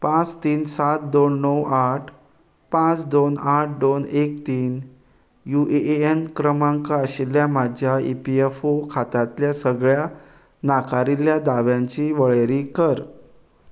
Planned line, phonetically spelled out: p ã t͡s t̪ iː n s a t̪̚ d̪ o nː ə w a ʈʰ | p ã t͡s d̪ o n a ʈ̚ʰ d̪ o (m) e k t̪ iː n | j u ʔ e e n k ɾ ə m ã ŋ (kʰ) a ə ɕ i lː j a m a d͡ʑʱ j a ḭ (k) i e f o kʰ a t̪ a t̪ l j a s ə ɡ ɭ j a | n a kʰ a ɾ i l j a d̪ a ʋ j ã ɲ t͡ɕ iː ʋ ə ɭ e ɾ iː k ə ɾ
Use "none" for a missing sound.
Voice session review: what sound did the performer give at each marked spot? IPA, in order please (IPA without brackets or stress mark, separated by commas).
n, k, p